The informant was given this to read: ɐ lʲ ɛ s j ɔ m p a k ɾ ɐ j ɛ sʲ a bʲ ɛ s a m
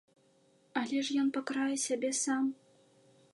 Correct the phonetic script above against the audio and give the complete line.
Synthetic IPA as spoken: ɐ lʲ ɛ ʂ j ɔ n p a k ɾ a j ɛ sʲ a bʲ ɛ s a m

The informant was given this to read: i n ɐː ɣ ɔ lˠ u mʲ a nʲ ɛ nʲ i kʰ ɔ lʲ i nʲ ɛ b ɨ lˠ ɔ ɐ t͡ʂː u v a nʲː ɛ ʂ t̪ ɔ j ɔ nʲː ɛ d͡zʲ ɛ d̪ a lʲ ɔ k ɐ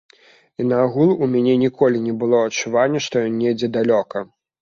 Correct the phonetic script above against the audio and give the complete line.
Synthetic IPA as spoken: i n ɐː ɣ u lˠ u mʲ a nʲ ɛ nʲ i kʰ ɔ lʲ i nʲ ɛ b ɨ lˠ ɔ ɐ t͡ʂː u v a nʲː ɛ ʂ t̪ ɔ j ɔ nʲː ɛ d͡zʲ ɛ d̪ a lʲ ɔ k ɐ

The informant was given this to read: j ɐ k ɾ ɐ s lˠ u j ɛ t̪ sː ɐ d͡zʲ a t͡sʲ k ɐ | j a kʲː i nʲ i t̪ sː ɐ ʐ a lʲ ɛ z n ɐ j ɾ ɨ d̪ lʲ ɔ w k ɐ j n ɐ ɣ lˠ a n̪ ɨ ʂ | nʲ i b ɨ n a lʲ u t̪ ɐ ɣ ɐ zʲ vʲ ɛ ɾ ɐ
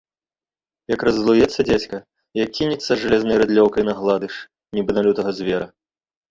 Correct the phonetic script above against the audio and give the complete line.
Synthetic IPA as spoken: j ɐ k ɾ ɐ z lˠ u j ɛ t̪ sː ɐ d͡zʲ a t͡sʲ k ɐ | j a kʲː i nʲ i t̪ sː ɐ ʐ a lʲ ɛ z n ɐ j ɾ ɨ d̪ lʲ ɔ w k ɐ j n ɐ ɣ lˠ a d̪ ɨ ʂ | nʲ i b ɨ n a lʲ u t̪ ɐ ɣ ɐ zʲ vʲ ɛ ɾ ɐ

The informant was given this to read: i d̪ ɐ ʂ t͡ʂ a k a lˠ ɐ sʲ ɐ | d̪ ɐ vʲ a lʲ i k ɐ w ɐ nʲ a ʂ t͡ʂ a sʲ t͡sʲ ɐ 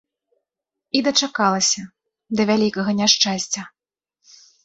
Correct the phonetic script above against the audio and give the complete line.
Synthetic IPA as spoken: i d̪ ɐ t͡ʂ a k a lˠ ɐ sʲ ɐ | d̪ ɐ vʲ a lʲ i k ɐ ɣ ɐ nʲ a ʂ t͡ʂ a sʲ t͡sʲ ɐ

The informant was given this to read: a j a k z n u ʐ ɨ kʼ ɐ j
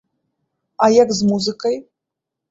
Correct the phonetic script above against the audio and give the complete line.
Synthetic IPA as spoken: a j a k z m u z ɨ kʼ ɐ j

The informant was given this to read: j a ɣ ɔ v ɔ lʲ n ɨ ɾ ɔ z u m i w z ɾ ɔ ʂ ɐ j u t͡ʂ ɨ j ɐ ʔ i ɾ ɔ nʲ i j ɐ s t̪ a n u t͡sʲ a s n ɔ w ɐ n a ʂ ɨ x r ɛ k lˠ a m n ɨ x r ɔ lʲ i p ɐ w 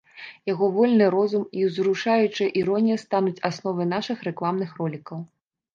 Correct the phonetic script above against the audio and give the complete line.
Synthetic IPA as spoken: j a ɣ ɔ v ɔ lʲ n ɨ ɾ ɔ z u m i w z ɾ u ʂ a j u t͡ʂ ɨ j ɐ ʔ i ɾ ɔ nʲ i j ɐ s t̪ a n u t͡sʲ a s n ɔ v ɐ n a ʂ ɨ x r ɛ k lˠ a m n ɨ x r ɔ lʲ i k ɐ w

